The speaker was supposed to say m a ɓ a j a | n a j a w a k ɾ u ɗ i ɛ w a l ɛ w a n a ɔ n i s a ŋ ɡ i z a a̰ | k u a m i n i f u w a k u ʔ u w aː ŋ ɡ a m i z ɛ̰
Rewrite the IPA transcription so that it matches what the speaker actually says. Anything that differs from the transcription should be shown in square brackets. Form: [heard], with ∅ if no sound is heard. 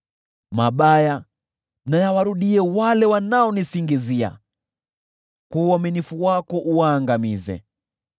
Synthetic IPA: m a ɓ a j a | n a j a w a [∅] ɾ u ɗ i ɛ w a l ɛ w a n a ɔ n i s [i] ŋ ɡ i z [i] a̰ | k u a m i n i f u w a k [ɔ] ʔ u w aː ŋ ɡ a m i z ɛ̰